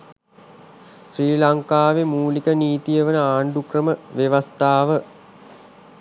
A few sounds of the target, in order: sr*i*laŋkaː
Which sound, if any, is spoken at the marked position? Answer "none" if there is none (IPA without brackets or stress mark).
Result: iː